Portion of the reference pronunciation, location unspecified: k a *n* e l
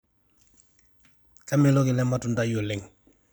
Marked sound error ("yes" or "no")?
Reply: yes